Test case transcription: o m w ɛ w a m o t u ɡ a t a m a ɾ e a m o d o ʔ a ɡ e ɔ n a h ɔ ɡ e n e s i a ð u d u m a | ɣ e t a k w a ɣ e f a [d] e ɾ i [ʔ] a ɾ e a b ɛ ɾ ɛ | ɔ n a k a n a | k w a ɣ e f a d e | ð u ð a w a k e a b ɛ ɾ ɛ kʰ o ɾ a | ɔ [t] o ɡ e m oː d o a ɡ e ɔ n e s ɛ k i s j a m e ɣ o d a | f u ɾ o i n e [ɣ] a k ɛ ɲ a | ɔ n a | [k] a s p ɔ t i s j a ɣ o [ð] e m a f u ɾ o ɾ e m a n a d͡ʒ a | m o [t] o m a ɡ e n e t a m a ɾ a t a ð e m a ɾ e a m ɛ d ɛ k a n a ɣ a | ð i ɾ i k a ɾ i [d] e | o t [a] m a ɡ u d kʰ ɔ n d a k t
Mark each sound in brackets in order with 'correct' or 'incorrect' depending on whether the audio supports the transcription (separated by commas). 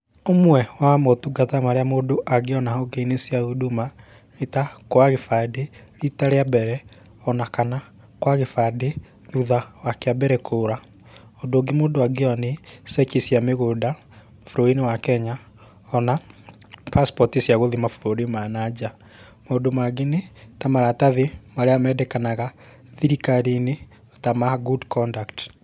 correct, incorrect, incorrect, incorrect, incorrect, correct, incorrect, incorrect, correct